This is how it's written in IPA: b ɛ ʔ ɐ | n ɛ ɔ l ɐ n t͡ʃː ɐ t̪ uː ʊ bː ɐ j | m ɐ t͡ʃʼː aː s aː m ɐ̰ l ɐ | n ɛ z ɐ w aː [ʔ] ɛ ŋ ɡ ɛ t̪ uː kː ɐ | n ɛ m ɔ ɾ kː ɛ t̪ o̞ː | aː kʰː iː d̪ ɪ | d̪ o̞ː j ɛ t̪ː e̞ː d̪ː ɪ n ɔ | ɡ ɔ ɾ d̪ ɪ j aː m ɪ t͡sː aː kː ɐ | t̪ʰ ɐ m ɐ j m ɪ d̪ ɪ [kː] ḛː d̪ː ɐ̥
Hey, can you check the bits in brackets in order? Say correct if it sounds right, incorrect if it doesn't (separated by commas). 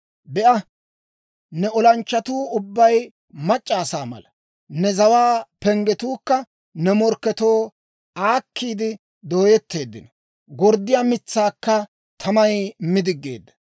incorrect, incorrect